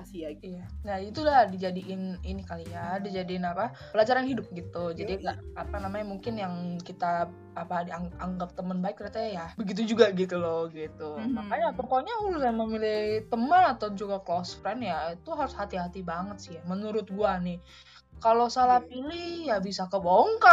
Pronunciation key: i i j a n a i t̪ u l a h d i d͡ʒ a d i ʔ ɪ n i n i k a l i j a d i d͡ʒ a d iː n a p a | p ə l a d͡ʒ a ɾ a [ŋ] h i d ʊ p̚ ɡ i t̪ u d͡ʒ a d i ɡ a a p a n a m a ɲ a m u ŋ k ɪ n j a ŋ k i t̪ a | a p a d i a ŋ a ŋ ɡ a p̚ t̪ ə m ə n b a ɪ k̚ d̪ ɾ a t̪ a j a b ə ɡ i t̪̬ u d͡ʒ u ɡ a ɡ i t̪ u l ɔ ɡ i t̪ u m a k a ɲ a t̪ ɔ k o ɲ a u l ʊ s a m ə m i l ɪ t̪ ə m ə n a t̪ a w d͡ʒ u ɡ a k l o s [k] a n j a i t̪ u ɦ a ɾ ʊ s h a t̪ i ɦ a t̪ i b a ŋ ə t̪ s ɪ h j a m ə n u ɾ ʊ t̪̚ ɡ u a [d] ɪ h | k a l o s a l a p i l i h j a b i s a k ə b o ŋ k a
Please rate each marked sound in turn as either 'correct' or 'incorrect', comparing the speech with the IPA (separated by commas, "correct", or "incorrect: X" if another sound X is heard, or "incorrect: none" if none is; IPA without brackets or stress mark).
incorrect: n, correct, incorrect: n